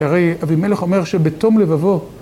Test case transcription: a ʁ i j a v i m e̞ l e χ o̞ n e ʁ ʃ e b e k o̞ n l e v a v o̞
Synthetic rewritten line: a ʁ e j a v i m e̞ l e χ o̞ m e ʁ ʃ e b e t o̞ m l e v a v o̞